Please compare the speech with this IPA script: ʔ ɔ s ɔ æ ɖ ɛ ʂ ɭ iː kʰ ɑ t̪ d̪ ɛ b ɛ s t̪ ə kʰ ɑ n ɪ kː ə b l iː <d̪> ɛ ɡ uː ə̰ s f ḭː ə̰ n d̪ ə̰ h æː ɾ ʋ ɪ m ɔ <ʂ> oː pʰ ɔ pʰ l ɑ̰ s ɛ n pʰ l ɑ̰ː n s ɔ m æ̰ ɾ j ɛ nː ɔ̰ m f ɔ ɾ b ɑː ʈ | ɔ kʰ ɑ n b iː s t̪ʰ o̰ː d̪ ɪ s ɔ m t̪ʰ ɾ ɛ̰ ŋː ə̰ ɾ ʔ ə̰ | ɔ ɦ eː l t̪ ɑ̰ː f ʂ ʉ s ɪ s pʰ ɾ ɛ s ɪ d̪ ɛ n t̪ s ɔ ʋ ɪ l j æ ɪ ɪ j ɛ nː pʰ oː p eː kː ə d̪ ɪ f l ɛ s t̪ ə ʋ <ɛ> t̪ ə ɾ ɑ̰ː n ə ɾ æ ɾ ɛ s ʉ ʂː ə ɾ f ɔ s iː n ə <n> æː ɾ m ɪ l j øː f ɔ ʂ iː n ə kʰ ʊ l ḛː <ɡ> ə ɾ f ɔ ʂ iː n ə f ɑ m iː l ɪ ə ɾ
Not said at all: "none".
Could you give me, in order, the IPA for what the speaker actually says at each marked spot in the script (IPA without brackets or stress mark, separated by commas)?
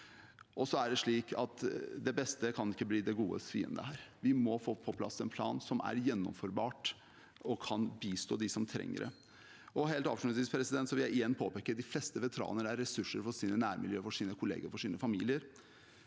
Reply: d̪, f, ɛ, n, ɡ